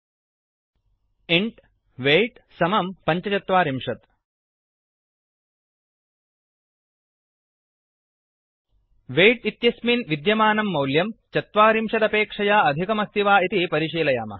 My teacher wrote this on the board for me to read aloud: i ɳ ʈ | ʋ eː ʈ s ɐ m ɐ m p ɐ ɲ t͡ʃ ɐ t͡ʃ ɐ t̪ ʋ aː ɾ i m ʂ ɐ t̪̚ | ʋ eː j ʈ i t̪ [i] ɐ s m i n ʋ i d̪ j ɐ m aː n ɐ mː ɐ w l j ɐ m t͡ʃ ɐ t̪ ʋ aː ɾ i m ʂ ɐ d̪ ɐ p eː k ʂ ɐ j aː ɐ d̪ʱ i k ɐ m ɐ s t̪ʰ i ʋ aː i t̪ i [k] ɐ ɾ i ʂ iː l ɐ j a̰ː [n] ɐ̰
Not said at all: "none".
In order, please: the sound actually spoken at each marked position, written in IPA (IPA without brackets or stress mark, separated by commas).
j, p, m